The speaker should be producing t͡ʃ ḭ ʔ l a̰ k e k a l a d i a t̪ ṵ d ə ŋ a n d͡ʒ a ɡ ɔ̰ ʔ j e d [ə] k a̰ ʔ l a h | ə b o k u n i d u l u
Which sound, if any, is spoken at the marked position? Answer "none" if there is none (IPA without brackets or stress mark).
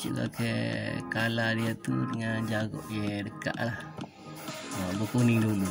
ə